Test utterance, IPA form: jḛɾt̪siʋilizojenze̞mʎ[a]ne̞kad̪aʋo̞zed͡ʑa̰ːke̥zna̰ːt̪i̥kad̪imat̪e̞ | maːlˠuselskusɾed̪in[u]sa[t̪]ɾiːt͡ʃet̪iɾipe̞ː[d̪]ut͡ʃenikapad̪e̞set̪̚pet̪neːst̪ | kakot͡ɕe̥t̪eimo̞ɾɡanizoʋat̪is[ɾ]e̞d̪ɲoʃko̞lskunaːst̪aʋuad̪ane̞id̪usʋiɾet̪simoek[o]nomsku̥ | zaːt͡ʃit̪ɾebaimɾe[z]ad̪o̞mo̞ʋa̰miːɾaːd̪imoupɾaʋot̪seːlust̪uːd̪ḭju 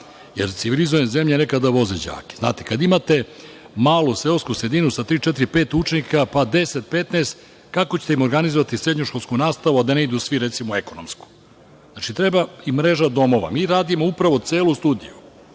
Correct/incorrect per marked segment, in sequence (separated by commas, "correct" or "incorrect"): incorrect, correct, correct, incorrect, correct, correct, incorrect